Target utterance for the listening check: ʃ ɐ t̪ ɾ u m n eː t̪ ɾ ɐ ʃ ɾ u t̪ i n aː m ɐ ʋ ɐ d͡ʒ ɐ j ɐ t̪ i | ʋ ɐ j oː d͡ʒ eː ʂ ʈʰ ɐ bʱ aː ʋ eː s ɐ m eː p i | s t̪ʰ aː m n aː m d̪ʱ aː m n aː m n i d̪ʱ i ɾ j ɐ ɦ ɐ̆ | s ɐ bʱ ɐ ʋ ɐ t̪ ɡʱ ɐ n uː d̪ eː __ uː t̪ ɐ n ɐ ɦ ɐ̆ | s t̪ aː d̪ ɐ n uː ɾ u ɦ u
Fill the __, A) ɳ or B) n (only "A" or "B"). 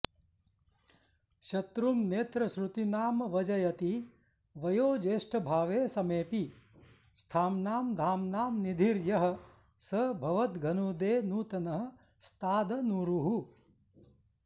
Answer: B